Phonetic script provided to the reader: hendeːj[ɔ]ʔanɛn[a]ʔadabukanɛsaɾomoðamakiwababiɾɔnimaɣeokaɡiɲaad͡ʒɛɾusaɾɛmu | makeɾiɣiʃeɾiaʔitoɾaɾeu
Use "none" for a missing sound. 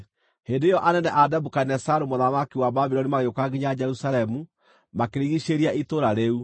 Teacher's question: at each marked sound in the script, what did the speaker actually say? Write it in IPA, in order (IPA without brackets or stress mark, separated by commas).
ɔ, ɛ